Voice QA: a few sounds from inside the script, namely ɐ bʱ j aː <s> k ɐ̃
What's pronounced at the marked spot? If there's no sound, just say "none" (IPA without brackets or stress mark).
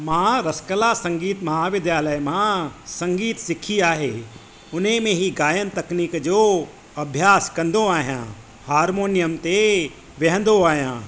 s